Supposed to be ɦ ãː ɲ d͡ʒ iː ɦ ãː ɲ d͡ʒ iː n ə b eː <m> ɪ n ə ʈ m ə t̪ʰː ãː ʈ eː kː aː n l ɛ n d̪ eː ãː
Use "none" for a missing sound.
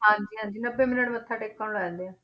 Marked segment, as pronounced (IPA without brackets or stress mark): m